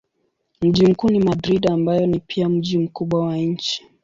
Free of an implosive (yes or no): no